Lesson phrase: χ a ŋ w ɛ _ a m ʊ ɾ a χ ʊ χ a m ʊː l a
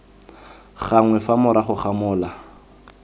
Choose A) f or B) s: A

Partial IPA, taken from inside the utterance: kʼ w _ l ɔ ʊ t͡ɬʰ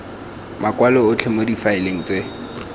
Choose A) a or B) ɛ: A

